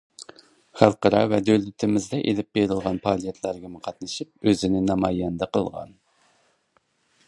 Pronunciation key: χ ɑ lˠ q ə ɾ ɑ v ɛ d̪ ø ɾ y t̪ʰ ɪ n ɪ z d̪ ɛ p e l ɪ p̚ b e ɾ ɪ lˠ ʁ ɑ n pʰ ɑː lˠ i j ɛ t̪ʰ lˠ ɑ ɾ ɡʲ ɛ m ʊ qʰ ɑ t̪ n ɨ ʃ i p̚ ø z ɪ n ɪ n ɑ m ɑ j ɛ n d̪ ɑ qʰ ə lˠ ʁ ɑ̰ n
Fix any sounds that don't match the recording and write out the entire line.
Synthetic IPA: χ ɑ lˠ q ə ɾ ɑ v ɛ d̪ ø l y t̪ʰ ɪ m ɪ z d̪ ɛ ʔ e l ɪ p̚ b e ɾ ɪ lˠ ʁ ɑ n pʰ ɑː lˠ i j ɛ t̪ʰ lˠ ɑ ɾ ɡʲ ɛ m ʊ qʰ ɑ t̪ n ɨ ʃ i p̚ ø z ɪ n ɪ n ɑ m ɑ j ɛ n d̪ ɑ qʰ ə lˠ ʁ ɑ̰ n